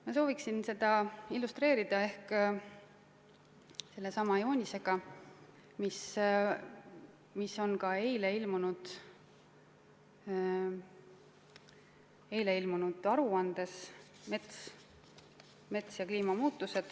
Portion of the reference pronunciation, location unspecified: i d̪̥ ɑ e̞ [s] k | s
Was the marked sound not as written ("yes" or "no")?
yes